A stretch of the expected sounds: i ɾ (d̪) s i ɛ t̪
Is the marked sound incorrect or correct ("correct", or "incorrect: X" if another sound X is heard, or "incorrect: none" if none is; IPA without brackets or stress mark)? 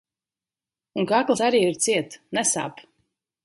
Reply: incorrect: t̪